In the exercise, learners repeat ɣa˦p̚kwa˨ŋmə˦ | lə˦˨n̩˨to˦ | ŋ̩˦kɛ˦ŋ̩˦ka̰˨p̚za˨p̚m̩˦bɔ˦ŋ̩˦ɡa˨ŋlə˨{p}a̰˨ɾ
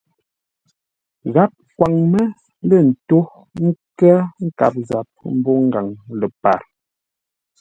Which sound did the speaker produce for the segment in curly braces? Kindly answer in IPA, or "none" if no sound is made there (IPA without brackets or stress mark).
p